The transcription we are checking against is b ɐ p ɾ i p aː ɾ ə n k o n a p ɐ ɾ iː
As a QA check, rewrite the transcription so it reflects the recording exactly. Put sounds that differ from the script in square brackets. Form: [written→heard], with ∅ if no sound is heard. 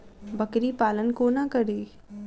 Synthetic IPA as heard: b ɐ [p→k] ɾ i p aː [ɾ→l] ə n k o n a [p→k] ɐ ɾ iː